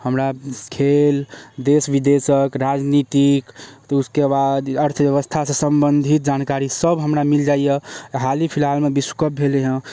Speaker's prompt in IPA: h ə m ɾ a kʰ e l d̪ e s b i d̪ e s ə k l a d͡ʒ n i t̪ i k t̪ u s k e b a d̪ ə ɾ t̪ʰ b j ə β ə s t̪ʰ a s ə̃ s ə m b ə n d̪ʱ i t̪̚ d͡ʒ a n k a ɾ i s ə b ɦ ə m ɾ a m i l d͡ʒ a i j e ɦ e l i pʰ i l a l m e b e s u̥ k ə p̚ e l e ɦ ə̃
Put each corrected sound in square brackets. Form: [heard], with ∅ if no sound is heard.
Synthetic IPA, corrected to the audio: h ə m ɾ a kʰ e l d̪ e s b i d̪ e s ə k [ɾ] a d͡ʒ n i t̪ i k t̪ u s k e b a d̪ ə ɾ t̪ʰ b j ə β ə s t̪ʰ a s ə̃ s ə m b ə n d̪ʱ i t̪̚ d͡ʒ a n k a ɾ i s ə b ɦ ə m ɾ a m i l d͡ʒ a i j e ɦ [a] l i pʰ i l a l m e b [i] s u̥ k ə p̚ e l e ɦ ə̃